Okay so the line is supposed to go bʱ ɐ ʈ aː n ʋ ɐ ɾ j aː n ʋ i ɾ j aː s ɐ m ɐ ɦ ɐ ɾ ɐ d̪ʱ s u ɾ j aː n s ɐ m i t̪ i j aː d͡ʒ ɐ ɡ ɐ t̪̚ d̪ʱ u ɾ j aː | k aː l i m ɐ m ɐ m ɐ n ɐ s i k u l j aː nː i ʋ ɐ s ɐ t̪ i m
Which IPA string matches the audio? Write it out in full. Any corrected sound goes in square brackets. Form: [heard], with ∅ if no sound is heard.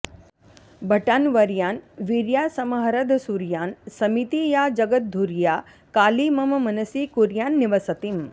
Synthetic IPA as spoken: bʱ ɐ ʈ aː n ʋ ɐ ɾ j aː n ʋ i ɾ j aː s ɐ m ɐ ɦ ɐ ɾ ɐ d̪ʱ s u ɾ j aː n s ɐ m i t̪ i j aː d͡ʒ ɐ ɡ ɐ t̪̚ d̪ʱ u ɾ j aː | k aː l i m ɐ m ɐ m ɐ n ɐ s i k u [ɾ] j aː nː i ʋ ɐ s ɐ t̪ i m